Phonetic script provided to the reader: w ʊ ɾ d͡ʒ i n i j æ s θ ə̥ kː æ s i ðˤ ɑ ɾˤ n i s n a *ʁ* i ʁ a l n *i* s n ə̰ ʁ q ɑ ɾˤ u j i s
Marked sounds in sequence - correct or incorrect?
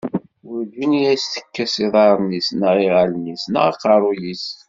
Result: correct, correct

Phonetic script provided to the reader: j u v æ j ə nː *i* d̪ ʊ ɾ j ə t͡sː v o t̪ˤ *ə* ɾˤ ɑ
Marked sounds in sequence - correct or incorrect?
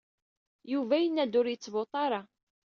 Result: incorrect: æ, incorrect: ɑ

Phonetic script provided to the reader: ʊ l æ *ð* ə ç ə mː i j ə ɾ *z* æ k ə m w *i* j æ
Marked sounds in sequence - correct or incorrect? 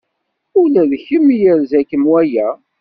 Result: correct, correct, incorrect: æ

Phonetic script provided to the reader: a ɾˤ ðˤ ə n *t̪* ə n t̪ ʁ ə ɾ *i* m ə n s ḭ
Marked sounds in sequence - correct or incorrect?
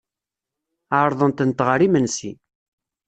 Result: correct, correct

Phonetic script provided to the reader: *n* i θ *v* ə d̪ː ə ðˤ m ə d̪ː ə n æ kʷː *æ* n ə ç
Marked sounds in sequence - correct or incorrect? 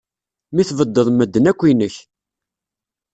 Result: incorrect: m, correct, incorrect: i

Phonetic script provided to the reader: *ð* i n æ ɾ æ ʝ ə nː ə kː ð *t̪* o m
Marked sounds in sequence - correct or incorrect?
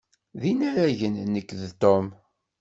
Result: correct, correct

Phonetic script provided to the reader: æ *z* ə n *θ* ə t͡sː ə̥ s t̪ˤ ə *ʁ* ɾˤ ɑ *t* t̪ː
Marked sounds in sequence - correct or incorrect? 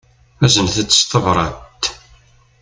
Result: correct, correct, incorrect: v, correct

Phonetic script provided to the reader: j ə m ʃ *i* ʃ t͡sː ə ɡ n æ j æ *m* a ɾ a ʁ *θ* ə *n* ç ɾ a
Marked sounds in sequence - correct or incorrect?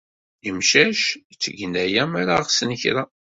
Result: incorrect: æ, correct, incorrect: s, correct

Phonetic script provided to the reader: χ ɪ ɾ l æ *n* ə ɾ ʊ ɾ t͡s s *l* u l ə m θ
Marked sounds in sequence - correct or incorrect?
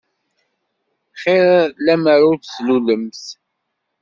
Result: incorrect: m, correct

